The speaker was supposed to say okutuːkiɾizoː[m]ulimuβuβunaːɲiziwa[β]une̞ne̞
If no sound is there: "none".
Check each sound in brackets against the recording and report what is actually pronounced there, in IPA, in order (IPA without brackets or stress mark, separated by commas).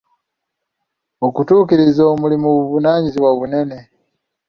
m, β